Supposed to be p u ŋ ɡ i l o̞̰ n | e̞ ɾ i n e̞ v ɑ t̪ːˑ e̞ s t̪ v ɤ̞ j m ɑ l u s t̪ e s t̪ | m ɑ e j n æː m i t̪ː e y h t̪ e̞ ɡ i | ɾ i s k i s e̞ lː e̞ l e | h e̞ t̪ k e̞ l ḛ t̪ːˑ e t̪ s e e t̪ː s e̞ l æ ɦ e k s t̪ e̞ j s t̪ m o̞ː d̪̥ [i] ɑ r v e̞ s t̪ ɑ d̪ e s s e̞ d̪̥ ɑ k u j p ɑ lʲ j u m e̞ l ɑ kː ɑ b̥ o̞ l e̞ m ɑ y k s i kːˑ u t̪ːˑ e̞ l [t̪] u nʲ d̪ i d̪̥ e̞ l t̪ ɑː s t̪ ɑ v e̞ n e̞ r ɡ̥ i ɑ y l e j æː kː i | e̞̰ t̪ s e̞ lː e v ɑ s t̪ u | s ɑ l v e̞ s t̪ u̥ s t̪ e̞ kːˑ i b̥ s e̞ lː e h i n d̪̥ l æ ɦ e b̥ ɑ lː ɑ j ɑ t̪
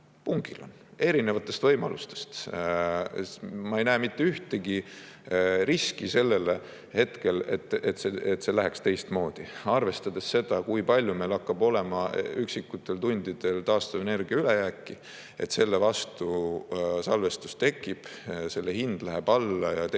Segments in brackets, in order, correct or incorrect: correct, correct

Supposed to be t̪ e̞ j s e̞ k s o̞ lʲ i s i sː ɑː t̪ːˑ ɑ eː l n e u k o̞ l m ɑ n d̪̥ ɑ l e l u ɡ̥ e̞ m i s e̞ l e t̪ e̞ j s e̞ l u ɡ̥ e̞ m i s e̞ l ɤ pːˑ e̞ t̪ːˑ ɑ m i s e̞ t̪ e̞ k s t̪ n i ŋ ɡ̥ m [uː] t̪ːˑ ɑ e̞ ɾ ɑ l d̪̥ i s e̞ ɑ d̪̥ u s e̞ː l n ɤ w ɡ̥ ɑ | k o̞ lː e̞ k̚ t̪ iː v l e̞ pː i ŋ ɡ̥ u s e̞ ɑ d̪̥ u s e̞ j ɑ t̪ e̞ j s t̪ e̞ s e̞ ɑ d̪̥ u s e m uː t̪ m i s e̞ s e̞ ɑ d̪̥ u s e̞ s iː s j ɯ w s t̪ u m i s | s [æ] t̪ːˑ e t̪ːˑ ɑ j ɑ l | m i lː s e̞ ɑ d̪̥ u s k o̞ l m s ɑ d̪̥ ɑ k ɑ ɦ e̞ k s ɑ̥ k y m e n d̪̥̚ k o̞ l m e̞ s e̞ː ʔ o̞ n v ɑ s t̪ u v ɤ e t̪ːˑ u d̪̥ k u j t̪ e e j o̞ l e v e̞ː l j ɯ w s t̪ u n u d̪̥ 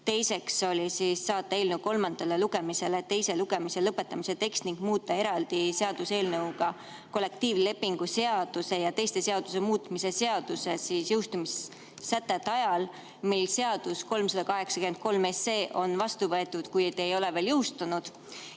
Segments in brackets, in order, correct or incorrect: correct, correct

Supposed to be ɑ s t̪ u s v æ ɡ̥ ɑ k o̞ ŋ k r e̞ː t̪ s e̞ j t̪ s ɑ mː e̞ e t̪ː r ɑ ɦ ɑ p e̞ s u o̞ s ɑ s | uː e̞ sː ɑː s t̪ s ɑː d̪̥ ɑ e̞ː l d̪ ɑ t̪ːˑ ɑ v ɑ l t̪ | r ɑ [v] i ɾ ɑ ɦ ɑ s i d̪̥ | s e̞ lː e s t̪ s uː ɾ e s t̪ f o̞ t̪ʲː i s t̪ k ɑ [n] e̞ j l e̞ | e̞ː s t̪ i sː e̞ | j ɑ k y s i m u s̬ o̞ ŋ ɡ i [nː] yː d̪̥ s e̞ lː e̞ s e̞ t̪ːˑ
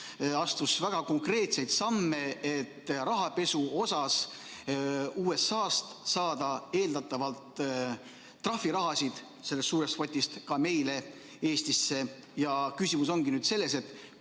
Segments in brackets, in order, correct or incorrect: incorrect, incorrect, incorrect

